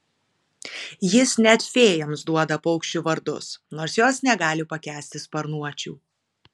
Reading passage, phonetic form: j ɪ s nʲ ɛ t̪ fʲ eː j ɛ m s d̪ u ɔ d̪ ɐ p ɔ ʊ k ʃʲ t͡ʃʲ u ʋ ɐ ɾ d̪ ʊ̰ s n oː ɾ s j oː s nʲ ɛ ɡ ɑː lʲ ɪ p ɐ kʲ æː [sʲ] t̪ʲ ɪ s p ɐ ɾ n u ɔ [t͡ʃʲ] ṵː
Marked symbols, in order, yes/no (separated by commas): yes, yes